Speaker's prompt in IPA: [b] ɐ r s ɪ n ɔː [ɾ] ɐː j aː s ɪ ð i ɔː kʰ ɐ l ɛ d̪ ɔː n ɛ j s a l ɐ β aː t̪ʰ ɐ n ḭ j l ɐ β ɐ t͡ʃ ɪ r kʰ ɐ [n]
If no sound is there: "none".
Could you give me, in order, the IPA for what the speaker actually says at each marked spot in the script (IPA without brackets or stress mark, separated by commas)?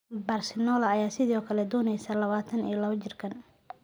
b, l, n